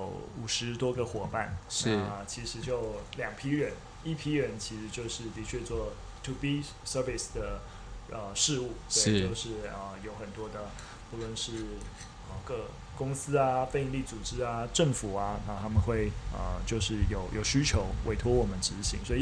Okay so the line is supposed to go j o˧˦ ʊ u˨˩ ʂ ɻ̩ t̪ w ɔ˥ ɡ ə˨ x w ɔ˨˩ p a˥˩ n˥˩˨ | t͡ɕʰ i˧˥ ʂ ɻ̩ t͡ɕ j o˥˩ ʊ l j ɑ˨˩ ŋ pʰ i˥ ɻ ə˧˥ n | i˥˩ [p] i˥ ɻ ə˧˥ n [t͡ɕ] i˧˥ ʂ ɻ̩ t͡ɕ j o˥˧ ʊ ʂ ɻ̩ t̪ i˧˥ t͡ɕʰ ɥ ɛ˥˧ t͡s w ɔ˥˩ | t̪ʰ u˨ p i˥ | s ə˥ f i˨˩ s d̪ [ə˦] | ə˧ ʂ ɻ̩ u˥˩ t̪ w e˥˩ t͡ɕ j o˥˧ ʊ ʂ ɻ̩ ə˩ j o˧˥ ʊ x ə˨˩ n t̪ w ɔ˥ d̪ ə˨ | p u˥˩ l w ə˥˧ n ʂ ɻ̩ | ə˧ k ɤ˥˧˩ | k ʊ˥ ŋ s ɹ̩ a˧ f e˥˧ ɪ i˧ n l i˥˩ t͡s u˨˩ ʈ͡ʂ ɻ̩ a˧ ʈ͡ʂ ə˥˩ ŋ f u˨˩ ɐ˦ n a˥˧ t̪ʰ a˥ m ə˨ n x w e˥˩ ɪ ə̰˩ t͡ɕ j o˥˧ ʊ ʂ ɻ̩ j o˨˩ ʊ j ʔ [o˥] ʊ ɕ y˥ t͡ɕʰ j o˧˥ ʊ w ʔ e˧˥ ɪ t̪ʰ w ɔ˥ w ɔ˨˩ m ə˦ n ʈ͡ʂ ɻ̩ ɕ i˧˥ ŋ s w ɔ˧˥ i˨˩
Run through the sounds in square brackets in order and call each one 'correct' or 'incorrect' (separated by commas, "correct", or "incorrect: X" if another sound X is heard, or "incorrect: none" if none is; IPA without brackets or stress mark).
incorrect: pʰ, incorrect: t͡ɕʰ, incorrect: ə˩, incorrect: o˨˩